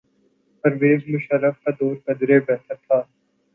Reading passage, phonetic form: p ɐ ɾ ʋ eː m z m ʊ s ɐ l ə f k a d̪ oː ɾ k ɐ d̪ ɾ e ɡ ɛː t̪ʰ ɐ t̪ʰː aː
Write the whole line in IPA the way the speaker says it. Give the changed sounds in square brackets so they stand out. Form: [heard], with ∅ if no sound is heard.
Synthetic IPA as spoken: p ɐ ɾ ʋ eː [∅] z m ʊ [ʃ] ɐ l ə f k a d̪ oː ɾ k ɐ d̪ ɾ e [b] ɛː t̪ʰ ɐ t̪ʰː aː